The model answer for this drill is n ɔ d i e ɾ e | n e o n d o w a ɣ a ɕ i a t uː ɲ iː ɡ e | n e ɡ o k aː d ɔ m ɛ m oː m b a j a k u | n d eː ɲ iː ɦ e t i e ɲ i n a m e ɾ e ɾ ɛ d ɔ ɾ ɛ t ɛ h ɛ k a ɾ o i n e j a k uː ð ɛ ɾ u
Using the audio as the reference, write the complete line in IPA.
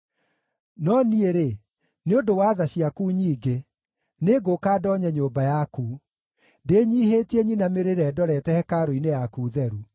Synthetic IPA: n ɔ n i e ɾ e | n e o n d o w a ð a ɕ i a k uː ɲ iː ɡ e | n e ɡ o k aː d ɔ ɲ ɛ ɲ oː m b a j a k u | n d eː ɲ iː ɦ e t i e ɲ i n a m e ɾ e ɾ ɛ d ɔ ɾ ɛ t ɛ h ɛ k a ɾ o i n e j a k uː ð ɛ ɾ u

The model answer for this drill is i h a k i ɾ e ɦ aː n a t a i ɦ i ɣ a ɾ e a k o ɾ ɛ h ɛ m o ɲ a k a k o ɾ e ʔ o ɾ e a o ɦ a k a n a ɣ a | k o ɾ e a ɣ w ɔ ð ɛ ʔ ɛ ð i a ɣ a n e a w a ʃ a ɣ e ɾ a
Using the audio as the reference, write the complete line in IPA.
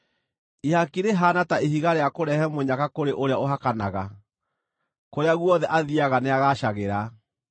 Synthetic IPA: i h a k i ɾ e ɦ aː n a t a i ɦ i ɣ a ɾ e a k o ɾ ɛ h ɛ m o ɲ a k a k o ɾ e ʔ o ɾ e a o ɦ a k a n a ɣ a | k o ɾ e a ɣ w ɔ ð ɛ ʔ a ð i a ɣ a n e a ɣ a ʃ a ɣ e ɾ a

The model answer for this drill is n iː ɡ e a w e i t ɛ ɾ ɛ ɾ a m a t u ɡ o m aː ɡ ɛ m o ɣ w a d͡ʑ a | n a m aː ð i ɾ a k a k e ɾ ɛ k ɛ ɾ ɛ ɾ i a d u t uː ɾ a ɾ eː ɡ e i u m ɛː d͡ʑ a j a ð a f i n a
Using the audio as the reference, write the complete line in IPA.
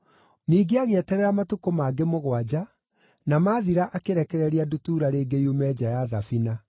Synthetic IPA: n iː ɡ e a ɣ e ɛ t ɛ ɾ ɛ ɾ a m a t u k o m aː ɡ e m o ɣ w a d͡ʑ a | n a m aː ð i ɾ a ʔ a k e ɾ ɛ k ɛ ɾ ɛ ɾ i a d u t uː ɾ a ɾ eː ɡ e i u m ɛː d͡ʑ a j a ð a f i n a

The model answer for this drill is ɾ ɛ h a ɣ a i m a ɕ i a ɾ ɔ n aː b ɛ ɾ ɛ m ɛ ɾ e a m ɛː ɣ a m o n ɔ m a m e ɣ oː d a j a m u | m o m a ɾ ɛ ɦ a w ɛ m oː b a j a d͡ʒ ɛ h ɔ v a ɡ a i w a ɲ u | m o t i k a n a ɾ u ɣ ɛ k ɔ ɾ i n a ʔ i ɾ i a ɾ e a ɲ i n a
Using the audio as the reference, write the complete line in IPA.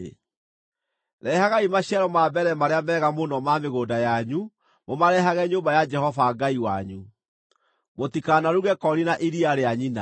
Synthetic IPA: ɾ ɛ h a ɣ a i m a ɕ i a ɾ ɔ m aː b ɛ ɾ ɛ m a ɾ e a m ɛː ɣ a m o n ɔ m a m e ɣ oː d a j a ɲ u | m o m a ɾ ɛ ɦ a ɣ ɛ ɲ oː b a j a d͡ʒ ɛ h ɔ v a ɡ a i w a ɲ u | m o t i k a n a ɾ u ɣ ɛ k ɔ ɾ i n a ʔ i ɾ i a ɾ e a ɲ i n a

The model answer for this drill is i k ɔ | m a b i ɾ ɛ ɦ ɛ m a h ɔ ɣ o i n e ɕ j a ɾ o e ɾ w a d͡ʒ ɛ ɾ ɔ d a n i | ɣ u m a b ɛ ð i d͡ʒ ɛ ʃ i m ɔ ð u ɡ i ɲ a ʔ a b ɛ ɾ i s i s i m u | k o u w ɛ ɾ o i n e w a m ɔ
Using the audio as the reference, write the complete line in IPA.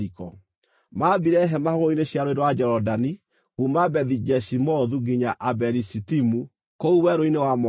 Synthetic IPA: i k ɔ | m a b i ɾ ɛ ɦ ɛ m a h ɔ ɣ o i n e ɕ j a ɾ o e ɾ w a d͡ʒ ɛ ɾ ɔ d a n i | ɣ u m a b ɛ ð i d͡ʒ ɛ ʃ i m ɔ ð u ɡ i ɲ a ʔ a b ɛ ɾ i s i t i m u | k o u w ɛ ɾ o i n e w a m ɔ

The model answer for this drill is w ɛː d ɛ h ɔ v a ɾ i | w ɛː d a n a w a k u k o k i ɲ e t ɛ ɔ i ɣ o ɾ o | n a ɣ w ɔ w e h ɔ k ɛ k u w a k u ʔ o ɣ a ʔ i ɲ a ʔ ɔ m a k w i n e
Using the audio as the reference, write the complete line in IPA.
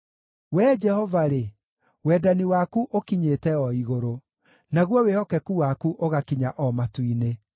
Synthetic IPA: w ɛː d͡ʒ ɛ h ɔ v a ɾ e | w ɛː d a n i w a k u ʔ o k i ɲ e t ɛ ɔ i ɣ o ɾ o | n a ɣ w ɔ w e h ɔ k ɛ k u w a k u ʔ o ɣ a k i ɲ a ʔ ɔ m a t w i n e

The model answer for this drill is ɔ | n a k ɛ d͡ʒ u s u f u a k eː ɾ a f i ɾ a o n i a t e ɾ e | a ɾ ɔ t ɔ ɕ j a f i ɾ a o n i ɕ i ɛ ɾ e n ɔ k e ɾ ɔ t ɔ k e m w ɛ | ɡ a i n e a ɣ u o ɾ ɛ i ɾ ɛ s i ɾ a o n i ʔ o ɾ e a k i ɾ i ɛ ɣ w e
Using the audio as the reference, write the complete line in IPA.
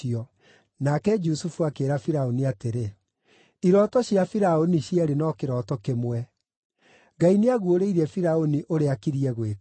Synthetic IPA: ɔ | n a k ɛ d͡ʒ u s u f u a k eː ɾ a f i ɾ a o n i a t e ɾ e | i ɾ ɔ t ɔ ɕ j a f i ɾ a o n i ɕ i ɛ ɾ e n ɔ k e ɾ ɔ t ɔ k e m w ɛ | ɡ a i n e a ɣ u o ɾ e i ɾ ɛ f i ɾ a o n i ʔ o ɾ e a k i ɾ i ɛ ɣ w e

